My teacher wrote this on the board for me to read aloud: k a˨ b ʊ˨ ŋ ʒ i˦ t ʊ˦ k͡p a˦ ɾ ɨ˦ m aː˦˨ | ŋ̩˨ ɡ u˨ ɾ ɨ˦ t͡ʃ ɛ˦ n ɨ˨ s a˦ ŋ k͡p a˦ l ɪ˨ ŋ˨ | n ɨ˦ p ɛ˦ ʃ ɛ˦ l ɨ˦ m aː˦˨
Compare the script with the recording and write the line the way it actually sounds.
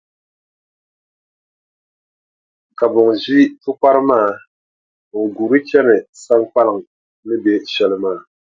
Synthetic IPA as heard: k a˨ b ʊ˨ ŋ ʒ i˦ t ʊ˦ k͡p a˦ ɾ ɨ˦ m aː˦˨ | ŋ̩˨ ɡ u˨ ɾ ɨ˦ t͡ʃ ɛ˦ n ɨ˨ s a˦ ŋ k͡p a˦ l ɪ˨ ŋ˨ | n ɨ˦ b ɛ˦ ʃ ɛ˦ l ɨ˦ m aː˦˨

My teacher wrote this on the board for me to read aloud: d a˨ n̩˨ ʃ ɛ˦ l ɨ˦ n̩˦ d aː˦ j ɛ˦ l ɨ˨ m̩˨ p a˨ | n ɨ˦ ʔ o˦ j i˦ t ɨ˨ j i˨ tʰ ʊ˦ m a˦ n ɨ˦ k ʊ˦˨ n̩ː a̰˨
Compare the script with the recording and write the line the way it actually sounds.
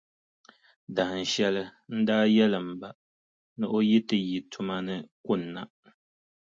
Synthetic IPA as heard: d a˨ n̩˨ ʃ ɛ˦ l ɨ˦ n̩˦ d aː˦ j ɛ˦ l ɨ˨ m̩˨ b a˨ | n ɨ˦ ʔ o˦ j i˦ t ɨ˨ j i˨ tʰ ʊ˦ m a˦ n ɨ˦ k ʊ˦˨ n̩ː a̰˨

